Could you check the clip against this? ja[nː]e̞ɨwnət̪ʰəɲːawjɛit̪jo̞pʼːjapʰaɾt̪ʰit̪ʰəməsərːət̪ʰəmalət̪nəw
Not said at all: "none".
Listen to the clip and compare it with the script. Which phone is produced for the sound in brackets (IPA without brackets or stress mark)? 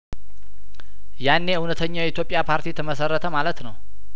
nː